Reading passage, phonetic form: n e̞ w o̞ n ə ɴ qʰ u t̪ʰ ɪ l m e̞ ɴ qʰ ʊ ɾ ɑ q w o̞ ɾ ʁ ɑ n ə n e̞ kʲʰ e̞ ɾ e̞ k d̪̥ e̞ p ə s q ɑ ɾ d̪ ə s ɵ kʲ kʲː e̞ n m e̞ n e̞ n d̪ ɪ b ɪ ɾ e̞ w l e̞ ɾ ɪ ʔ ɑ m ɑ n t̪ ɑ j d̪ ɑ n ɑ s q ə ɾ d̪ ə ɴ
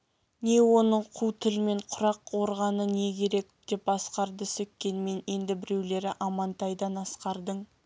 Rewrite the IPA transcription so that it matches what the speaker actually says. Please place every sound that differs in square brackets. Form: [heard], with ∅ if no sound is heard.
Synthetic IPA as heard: n e̞ w o̞ n ə ɴ qʰ u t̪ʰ ɪ l m e̞ ɴ qʰ ʊ ɾ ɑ q w o̞ ɾ ʁ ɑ n ə n e̞ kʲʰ e̞ ɾ e̞ k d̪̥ e̞ p [ɑ] s q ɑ ɾ d̪ ə s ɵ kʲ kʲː e̞ n m e̞ n e̞ n d̪ ɪ b ɪ ɾ e̞ w l e̞ ɾ ɪ ʔ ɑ m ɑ n t̪ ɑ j d̪ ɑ n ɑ s q [ɑ] ɾ d̪ ə ɴ